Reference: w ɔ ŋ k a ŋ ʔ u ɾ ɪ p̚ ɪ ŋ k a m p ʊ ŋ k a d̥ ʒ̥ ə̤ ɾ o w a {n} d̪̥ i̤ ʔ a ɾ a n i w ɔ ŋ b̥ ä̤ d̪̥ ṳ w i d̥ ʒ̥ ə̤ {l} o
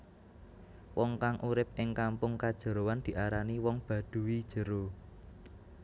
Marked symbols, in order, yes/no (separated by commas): yes, no